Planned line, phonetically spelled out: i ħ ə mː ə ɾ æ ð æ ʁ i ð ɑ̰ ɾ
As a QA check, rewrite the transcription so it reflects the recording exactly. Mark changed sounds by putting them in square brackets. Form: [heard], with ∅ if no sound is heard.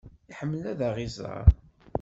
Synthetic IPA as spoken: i ħ ə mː ə [l] æ ð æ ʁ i [z] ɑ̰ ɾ